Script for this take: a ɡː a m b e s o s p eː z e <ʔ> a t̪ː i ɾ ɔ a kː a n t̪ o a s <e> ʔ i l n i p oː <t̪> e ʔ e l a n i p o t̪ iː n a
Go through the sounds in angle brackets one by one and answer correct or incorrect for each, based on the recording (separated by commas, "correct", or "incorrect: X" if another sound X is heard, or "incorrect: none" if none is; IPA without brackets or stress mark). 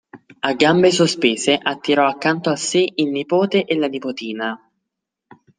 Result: correct, correct, correct